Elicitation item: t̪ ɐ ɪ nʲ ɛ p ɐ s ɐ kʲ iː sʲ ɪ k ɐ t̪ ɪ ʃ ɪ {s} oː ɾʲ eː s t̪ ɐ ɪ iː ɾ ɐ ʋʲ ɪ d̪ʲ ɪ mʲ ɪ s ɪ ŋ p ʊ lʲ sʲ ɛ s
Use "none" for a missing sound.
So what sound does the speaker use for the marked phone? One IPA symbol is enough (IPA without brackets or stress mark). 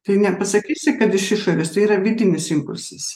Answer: ʃ